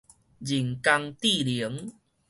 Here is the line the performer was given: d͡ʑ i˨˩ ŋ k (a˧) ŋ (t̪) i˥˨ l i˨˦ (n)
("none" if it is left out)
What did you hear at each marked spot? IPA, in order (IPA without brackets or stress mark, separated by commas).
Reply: a˧, t̪, ŋ